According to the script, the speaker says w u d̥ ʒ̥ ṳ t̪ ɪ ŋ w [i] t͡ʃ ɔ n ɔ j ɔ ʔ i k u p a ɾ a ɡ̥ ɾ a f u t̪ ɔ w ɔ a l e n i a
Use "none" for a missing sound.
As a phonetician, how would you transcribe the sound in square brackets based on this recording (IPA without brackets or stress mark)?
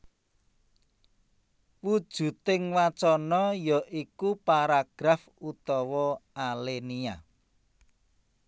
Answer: a